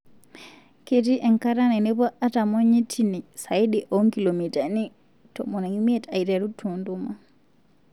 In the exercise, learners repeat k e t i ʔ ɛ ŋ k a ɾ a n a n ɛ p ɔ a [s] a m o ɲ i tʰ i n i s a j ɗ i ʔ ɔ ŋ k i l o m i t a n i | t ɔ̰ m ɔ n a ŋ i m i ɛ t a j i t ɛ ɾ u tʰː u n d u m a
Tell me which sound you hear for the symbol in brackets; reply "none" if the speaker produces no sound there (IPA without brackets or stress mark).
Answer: t